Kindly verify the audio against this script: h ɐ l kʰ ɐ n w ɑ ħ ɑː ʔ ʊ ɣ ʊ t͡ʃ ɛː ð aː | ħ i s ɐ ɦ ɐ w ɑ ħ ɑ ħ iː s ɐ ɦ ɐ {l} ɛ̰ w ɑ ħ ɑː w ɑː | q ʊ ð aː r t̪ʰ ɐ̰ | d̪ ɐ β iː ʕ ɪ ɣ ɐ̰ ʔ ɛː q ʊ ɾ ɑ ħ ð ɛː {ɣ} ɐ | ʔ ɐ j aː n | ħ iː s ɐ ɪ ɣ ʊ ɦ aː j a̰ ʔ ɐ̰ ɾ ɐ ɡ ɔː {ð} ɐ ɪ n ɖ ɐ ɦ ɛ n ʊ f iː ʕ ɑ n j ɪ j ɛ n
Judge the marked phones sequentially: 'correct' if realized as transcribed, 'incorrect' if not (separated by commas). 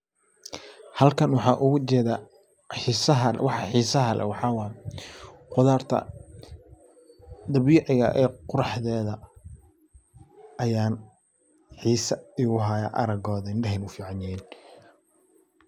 correct, incorrect, correct